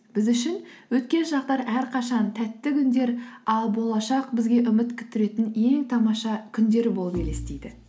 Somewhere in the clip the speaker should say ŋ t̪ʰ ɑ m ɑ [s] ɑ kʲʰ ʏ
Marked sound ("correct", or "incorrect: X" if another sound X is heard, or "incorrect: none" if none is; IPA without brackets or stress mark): incorrect: ʃ